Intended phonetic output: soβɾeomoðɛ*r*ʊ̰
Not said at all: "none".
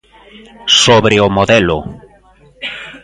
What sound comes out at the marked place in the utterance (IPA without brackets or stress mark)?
l